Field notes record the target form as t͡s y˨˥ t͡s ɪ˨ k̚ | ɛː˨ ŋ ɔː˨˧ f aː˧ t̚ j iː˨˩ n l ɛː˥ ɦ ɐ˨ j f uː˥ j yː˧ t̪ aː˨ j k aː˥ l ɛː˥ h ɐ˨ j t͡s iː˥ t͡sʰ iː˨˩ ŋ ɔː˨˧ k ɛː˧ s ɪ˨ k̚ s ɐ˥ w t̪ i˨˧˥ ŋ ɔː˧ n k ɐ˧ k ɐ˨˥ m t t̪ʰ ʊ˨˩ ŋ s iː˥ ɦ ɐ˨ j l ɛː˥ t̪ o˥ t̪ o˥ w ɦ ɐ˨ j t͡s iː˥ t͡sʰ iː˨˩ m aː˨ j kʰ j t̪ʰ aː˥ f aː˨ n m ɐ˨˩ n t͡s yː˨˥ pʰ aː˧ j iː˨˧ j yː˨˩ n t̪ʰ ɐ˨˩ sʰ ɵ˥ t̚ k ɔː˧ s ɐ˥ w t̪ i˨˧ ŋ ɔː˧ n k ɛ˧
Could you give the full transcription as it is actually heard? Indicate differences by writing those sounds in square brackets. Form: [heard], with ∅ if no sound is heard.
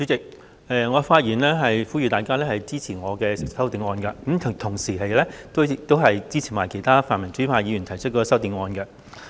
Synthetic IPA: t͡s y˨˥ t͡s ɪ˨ k̚ | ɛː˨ ŋ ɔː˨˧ f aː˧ t̚ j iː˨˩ n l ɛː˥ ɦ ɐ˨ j f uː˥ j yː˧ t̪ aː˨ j k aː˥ l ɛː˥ h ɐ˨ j t͡s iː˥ t͡sʰ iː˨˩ ŋ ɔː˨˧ k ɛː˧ s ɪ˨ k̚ s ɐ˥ w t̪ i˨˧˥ ŋ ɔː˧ n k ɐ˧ k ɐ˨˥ m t t̪ʰ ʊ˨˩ ŋ s [iː˨˩] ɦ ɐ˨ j l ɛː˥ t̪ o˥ t̪ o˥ w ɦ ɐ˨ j t͡s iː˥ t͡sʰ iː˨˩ m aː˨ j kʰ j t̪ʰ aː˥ f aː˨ n m ɐ˨˩ n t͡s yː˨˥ pʰ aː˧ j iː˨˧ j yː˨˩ n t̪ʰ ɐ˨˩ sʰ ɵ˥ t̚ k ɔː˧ s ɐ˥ w t̪ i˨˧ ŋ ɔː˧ n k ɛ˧